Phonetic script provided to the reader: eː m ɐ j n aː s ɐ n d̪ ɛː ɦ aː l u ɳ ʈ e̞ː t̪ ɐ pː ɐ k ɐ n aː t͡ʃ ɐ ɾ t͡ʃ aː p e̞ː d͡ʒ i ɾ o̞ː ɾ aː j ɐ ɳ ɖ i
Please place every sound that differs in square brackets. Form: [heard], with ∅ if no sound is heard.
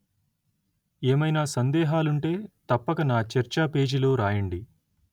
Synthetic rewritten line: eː m ɐ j n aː s ɐ n d̪ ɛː ɦ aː l u ɳ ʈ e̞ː t̪ ɐ pː ɐ k ɐ n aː t͡ʃ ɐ ɾ t͡ʃ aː p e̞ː d͡ʒ i [l] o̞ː ɾ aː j ɐ ɳ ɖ i

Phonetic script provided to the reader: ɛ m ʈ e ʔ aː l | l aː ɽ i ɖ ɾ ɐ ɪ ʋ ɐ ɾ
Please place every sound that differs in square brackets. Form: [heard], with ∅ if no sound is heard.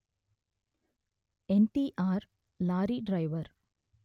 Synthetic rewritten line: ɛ [n] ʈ [i] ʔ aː [ɾ] | l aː [ɾ] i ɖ ɾ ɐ ɪ ʋ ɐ ɾ

